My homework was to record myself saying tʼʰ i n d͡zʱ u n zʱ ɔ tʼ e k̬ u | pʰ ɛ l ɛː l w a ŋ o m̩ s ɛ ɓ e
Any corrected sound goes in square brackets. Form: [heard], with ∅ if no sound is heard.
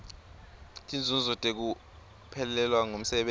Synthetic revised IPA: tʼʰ i n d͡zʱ u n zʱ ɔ tʼ e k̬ u | pʰ ɛ l [ɛ] l w a ŋ o m̩ s ɛ ɓ e

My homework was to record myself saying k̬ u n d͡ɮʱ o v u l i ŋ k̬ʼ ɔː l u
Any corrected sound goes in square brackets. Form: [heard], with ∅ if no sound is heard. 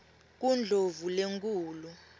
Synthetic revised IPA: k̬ u n d͡ɮʱ o v u l [e] ŋ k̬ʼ [uː] l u

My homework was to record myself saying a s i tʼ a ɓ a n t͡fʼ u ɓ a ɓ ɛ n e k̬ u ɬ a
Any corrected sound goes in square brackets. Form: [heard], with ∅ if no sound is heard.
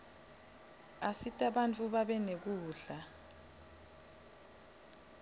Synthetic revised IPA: a s i tʼ a ɓ a n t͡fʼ u ɓ a ɓ ɛ n e k̬ [uː] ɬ a

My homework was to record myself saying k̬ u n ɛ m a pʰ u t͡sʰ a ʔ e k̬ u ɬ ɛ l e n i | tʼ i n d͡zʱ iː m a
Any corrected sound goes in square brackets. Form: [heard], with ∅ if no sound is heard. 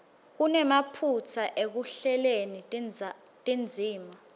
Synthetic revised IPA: k̬ u n ɛ m a pʰ u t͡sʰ a ʔ e k̬ u ɬ ɛ l e n i | tʼ i n d͡zʱ iː m a

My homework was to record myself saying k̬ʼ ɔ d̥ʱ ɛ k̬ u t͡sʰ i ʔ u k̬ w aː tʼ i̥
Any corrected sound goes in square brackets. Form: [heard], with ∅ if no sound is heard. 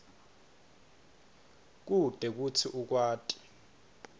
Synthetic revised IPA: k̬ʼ [u] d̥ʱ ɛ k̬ u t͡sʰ i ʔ u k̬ w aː tʼ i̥

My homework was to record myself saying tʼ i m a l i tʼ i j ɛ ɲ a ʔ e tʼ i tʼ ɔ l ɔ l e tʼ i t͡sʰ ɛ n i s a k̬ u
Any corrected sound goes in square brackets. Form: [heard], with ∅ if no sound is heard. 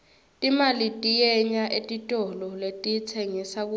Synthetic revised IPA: tʼ i m a l i tʼ i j ɛ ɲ a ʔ e tʼ i tʼ ɔ l ɔ l e tʼ i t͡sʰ ɛ [ŋ] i s a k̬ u

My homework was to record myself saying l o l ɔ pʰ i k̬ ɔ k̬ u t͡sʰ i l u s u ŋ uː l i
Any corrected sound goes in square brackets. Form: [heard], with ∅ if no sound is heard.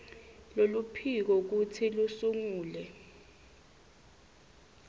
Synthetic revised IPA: l o l [u] pʰ i k̬ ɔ k̬ u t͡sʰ i l u s u ŋ uː l [ɛ]

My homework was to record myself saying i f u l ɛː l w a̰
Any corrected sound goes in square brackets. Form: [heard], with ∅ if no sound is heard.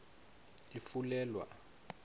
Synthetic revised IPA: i f u l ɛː l w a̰

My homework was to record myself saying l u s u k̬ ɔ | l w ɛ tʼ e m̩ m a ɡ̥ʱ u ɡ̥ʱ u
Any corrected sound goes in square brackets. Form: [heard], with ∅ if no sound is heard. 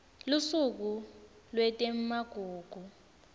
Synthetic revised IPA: l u s u k̬ [u] | l w ɛ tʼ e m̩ m a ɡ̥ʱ [uː] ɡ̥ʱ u

